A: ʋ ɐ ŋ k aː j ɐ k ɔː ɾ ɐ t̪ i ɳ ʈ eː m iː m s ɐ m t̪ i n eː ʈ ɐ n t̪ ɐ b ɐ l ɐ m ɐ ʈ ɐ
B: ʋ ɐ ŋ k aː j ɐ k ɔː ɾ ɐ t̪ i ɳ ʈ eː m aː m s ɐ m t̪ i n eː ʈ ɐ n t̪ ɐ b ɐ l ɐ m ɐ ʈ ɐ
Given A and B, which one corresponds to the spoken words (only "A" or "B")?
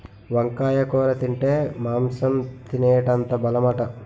B